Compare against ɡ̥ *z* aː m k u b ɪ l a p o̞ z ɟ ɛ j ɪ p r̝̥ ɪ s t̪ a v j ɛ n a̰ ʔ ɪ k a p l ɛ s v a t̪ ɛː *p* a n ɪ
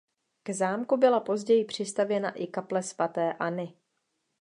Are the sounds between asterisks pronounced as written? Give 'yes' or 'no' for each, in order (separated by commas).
yes, no